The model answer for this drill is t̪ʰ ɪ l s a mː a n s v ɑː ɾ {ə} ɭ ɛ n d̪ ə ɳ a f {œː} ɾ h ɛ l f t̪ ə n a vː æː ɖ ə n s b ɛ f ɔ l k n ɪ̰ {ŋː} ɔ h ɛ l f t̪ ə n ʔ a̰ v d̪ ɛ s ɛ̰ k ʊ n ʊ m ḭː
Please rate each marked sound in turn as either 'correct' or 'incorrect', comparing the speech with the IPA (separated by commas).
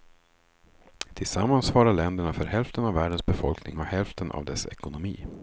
incorrect, incorrect, incorrect